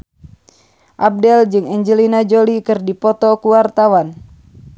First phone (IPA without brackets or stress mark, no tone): ʔ